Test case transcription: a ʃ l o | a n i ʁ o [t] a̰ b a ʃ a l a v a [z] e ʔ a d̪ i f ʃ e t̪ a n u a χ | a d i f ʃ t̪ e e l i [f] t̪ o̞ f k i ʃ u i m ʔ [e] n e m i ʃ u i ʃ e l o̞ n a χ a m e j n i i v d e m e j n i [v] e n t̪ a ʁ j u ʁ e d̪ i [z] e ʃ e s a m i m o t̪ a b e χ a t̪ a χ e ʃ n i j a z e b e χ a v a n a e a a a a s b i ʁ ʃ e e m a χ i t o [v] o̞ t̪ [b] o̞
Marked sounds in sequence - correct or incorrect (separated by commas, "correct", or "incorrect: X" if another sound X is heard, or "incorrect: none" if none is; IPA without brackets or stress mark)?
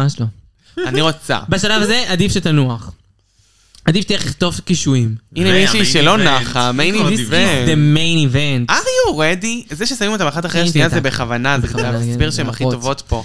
incorrect: t͡s, correct, incorrect: χ, incorrect: i, correct, correct, correct, incorrect: p